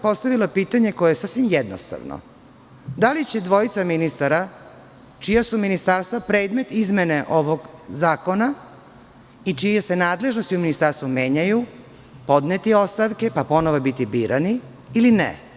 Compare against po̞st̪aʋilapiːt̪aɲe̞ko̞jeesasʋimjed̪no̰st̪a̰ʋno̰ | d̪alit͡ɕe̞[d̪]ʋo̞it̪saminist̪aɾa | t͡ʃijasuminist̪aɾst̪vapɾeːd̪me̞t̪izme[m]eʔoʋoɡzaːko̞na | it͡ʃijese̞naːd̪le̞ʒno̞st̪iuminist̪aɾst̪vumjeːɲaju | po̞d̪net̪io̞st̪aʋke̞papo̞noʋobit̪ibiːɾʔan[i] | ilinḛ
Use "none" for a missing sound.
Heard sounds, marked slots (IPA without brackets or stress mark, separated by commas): d̪, n, i